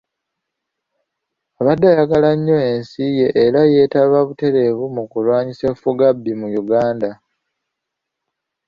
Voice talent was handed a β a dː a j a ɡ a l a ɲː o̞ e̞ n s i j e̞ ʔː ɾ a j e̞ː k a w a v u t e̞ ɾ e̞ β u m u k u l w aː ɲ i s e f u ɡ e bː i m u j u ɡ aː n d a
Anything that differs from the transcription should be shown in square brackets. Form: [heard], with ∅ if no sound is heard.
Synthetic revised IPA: a β a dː a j a ɡ a l a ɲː o̞ e̞ n s i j e̞ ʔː ɾ a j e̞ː [t] a [β] a [β] u t e̞ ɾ e̞ β u m u k u l w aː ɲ i s e f u ɡ [a] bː i m u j u ɡ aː n d a